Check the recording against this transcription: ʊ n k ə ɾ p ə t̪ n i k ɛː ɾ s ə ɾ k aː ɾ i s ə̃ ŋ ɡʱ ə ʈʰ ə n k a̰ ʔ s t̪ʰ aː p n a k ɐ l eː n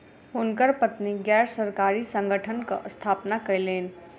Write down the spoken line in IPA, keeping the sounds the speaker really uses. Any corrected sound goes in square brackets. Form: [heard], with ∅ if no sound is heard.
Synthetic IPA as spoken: ʊ n k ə ɾ p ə t̪ n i [ɡ] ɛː ɾ s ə ɾ k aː ɾ i s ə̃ ŋ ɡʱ ə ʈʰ ə n k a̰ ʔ s t̪ʰ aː p n a k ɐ l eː n